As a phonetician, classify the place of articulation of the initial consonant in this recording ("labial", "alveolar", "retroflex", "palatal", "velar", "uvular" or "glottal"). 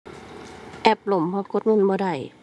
glottal